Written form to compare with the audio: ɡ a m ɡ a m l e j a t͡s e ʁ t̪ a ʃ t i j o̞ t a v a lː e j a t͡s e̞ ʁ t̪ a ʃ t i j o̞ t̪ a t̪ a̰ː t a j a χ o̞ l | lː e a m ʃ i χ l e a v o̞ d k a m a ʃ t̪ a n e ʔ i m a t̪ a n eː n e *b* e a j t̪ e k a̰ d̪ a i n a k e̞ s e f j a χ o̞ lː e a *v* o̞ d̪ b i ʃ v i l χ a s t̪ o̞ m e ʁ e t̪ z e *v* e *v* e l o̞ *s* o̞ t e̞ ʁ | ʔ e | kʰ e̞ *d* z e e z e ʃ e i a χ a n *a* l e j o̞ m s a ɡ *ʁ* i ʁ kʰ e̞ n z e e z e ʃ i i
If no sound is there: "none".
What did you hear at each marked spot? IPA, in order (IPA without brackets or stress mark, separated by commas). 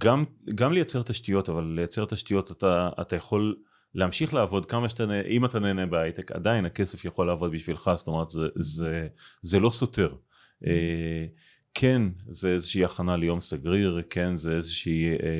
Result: b, v, z, z, s, n, a, ʁ